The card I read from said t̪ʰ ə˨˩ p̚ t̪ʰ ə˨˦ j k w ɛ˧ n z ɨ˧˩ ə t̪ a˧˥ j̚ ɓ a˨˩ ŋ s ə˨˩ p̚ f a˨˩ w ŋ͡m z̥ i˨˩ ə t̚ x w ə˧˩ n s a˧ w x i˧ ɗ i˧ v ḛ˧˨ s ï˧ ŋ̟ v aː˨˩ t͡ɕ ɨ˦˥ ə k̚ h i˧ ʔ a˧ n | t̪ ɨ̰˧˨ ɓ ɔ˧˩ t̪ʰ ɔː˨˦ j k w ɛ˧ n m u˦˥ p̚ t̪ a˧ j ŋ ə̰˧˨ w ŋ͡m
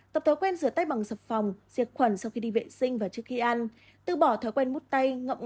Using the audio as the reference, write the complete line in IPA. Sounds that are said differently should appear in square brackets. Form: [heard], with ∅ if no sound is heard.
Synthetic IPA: [t̪] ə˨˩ p̚ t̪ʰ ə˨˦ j k w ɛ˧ n z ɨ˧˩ ə t̪ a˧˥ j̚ ɓ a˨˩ ŋ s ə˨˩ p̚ f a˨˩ w ŋ͡m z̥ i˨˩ ə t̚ x w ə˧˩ n s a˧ w x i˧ ɗ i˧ v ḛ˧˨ s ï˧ ŋ̟ v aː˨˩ t͡ɕ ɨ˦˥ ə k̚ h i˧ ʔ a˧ n | t̪ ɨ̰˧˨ ɓ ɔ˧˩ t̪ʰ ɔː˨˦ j k w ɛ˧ n m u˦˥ [t̚] t̪ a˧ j ŋ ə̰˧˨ w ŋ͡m